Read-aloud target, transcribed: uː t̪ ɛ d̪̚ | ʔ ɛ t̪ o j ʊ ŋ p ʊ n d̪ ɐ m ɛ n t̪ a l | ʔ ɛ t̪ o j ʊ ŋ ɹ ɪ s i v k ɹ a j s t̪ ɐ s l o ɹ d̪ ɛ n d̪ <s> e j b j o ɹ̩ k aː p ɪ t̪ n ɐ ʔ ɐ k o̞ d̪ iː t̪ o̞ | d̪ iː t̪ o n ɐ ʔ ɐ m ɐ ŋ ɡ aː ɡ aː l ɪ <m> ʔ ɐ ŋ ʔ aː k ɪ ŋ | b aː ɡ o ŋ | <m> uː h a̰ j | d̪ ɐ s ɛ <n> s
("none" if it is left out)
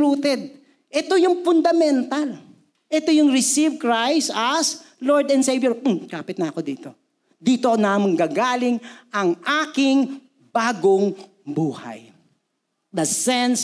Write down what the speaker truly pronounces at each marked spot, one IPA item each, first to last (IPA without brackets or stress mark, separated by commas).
s, ŋ, b, n